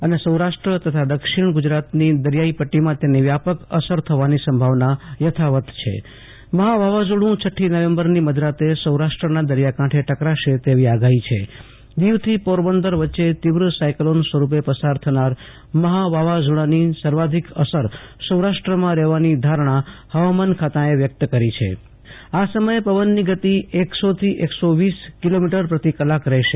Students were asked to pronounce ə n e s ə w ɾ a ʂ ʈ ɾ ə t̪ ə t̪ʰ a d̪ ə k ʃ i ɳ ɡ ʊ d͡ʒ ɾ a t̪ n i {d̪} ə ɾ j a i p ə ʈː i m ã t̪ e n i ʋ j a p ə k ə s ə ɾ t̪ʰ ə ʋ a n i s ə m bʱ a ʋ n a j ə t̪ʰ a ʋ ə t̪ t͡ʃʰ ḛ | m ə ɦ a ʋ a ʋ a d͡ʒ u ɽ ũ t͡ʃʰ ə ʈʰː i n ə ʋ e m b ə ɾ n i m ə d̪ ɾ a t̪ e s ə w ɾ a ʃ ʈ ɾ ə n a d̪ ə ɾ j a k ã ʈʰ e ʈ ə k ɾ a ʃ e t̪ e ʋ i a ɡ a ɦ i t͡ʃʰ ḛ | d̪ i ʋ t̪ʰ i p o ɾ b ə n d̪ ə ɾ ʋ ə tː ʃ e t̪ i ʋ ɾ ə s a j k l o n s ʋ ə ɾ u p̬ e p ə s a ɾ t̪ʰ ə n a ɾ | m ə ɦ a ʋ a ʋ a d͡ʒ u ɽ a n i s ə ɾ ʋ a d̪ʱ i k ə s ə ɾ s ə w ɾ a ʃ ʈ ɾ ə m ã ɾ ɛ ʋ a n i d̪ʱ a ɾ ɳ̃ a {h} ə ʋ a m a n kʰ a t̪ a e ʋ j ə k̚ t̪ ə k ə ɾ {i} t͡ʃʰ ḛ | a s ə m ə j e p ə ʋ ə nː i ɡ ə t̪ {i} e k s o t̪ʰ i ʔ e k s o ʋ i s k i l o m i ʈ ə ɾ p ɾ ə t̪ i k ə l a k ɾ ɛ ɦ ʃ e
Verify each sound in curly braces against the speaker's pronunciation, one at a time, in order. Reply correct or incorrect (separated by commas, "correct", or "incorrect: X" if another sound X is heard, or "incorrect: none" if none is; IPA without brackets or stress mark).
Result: correct, correct, correct, correct